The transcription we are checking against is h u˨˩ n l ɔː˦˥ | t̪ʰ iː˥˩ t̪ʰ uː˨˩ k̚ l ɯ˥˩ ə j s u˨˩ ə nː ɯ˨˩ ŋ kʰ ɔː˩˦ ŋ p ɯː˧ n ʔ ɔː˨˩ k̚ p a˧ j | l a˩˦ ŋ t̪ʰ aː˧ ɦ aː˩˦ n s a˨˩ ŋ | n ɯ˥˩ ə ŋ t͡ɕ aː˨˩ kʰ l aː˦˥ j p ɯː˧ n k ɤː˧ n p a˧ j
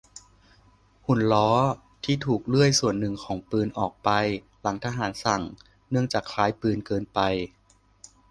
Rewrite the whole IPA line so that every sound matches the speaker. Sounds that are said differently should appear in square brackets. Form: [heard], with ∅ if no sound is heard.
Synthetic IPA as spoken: h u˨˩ n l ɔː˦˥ | t̪ʰ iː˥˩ t̪ʰ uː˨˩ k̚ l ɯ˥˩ ə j s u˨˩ ə nː ɯ˨˩ ŋ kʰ ɔː˩˦ ŋ p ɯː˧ n ʔ ɔː˨˩ k̚ p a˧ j | l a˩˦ ŋ t̪ʰ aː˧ ɦ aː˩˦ n s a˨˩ ŋ | n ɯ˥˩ ə ŋ t͡ɕ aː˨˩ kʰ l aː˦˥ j p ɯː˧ n k ɤː˧ n p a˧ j